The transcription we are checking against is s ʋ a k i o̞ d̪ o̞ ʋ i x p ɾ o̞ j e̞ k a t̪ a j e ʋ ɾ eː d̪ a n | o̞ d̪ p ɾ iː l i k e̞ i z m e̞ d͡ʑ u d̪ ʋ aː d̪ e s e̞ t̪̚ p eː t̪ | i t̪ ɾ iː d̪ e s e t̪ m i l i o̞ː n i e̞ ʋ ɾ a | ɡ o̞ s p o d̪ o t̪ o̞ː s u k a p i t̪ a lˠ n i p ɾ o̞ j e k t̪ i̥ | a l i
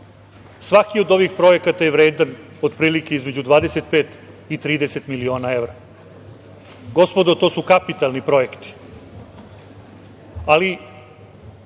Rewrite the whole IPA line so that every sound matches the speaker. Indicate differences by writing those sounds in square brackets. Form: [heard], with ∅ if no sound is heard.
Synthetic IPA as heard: s ʋ a k i o̞ d̪ o̞ ʋ i x p ɾ o̞ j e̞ k a t̪ a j e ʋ ɾ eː d̪ a n | o̞ d̪ p ɾ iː l i k e̞ i z m e̞ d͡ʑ u d̪ ʋ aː d̪ e s e̞ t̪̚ p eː t̪ | i t̪ ɾ iː d̪ e s e t̪ m i l i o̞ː n [a] e̞ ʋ ɾ a | ɡ o̞ s p o d̪ o t̪ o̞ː s u k a p i t̪ a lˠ n i p ɾ o̞ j e k t̪ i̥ | a l i